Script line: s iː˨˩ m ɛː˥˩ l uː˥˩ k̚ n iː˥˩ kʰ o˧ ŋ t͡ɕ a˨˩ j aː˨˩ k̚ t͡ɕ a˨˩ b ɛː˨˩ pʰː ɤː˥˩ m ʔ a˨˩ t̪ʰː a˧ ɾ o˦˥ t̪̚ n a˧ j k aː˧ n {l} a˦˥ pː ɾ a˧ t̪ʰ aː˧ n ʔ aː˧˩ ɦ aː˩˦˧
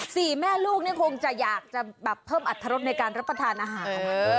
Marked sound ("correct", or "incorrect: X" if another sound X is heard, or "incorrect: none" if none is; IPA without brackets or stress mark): incorrect: ɾ